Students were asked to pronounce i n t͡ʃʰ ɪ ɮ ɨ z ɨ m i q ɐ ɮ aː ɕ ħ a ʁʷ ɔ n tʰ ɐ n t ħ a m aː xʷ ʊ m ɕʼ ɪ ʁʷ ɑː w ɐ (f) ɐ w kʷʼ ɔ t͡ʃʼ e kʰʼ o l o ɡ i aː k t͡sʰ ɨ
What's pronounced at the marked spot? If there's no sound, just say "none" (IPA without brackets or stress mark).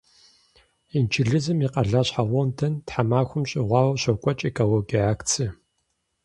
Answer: ɕ